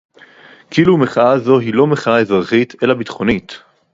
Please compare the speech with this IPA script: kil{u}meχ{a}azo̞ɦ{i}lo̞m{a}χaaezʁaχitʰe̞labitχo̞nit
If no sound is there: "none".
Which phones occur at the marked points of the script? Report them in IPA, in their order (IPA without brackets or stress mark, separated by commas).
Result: u, a, i, e